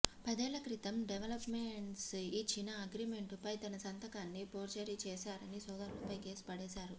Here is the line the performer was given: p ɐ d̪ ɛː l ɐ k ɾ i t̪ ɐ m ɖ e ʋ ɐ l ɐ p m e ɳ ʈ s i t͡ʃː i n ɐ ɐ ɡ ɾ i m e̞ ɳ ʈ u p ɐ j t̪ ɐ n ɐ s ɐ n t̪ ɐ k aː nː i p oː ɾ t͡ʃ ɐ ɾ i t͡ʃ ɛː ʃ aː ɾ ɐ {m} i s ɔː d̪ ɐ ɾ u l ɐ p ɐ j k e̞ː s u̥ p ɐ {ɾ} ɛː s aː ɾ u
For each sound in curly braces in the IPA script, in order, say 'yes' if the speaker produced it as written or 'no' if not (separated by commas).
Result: no, no